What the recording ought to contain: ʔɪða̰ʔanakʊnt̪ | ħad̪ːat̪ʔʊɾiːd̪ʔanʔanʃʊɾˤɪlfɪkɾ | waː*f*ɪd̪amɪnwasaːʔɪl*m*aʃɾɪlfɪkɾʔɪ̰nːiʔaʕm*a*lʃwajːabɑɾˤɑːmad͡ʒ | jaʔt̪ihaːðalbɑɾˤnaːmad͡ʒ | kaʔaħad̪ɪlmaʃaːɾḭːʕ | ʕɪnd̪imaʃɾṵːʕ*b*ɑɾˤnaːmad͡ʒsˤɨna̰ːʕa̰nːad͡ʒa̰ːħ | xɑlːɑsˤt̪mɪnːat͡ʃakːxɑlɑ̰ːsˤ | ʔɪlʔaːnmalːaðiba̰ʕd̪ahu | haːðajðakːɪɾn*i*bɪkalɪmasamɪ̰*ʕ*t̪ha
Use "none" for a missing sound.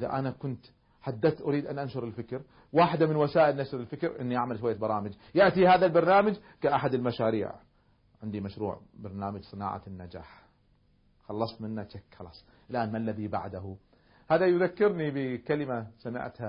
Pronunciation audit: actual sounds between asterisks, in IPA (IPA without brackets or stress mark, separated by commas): ħ, n, a, b, i, ʕ